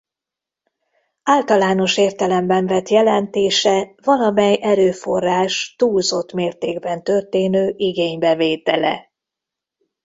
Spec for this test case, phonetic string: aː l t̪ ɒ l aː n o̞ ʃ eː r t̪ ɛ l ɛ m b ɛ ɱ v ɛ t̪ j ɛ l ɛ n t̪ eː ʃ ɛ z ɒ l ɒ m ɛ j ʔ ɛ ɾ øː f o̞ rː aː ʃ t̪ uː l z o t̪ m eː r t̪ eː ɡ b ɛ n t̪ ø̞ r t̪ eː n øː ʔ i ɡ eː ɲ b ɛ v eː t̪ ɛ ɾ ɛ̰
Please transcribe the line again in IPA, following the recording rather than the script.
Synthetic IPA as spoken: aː l t̪ ɒ l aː n o̞ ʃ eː r t̪ ɛ l ɛ m b ɛ ɱ v ɛ t̪ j ɛ l ɛ n t̪ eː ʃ ɛ v ɒ l ɒ m ɛ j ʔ ɛ ɾ øː f o̞ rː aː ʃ t̪ uː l z o t̪ m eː r t̪ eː ɡ b ɛ n t̪ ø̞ r t̪ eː n øː ʔ i ɡ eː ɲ b ɛ v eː t̪ ɛ l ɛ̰